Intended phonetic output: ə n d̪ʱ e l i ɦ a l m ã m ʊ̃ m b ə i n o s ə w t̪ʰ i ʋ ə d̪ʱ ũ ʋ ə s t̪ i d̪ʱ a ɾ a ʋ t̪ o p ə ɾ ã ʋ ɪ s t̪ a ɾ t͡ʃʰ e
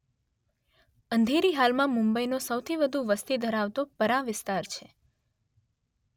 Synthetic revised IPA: ə n d̪ʱ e ɾ i ɦ a l m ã m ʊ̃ m b ə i n o s ə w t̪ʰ i ʋ ə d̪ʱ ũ ʋ ə s t̪ i d̪ʱ ə ɾ a ʋ t̪ o p ə ɾ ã ʋ ɪ s t̪ a ɾ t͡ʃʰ e